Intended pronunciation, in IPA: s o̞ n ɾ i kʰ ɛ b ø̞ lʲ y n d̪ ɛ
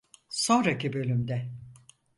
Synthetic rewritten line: s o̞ n ɾ a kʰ i b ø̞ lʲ y m d̪ ɛ

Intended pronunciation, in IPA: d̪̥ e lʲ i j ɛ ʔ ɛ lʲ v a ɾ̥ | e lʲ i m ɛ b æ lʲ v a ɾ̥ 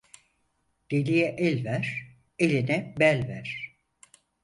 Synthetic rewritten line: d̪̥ e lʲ i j ɛ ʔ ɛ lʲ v æ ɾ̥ | e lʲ i n ɛ b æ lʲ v æ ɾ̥

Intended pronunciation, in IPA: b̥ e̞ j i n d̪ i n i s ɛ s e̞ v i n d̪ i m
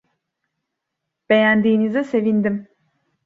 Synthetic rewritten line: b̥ e̞ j æ n d̪ iː n i z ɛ s e̞ v i n d̪ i m

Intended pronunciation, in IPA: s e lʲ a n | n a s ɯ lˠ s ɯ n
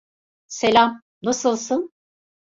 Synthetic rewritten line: s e lʲ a m | n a s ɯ lˠ s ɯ n

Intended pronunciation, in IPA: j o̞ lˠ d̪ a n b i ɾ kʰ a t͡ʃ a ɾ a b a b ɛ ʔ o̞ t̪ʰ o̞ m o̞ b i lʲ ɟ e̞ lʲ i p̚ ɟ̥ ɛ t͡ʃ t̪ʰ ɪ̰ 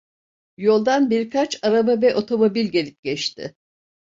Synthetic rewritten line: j o̞ lˠ d̪ a n b i ɾ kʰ a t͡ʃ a ɾ a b a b ɛ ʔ o̞ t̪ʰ o̞ m o̞ b i lʲ ɟ e̞ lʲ i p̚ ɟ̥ ɛ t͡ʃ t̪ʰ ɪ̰

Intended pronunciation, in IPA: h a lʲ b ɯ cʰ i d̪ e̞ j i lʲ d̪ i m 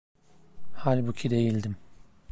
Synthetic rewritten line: h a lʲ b u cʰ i d̪ e̞ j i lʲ d̪ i m

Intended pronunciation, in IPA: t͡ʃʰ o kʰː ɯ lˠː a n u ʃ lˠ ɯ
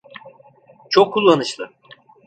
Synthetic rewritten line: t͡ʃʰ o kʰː u lˠː a n ɯ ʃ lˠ ɯ

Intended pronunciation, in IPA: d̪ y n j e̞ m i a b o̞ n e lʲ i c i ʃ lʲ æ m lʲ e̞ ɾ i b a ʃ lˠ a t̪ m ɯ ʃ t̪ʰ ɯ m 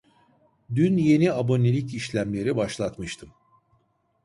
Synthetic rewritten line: d̪ y n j e̞ n i a b o̞ n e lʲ i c i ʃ lʲ æ m lʲ e̞ ɾ i b a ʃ lˠ a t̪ m ɯ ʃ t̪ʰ ɯ m

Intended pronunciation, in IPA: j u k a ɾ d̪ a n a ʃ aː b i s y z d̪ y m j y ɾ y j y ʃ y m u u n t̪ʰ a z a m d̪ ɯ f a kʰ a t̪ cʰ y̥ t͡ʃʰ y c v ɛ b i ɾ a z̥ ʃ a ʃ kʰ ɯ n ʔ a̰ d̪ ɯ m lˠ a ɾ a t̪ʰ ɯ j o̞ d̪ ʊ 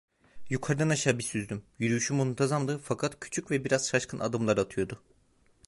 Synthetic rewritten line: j u kʰ a ɾ d̪ a n a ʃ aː b i s y z d̪ y m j y ɾ y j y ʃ y m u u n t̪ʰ a z a m d̪ ɯ f a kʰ a t̪ cʰ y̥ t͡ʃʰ y c v ɛ b i ɾ a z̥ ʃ a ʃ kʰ ɯ n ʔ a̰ d̪ ɯ m lˠ a ɾ a t̪ʰ ɯ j o̞ d̪ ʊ

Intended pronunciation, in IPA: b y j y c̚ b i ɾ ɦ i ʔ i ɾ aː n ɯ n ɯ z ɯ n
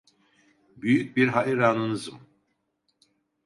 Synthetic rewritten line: b y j y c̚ b i ɾ ɦ a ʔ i ɾ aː n ɯ n ɯ z ɯ m

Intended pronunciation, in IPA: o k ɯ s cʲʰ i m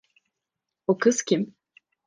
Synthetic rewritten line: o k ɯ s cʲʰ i m

